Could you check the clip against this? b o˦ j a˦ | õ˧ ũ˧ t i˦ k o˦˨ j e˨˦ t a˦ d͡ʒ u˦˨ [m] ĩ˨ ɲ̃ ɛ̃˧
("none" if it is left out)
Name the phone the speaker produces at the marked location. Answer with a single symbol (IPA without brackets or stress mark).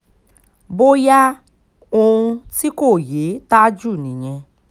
n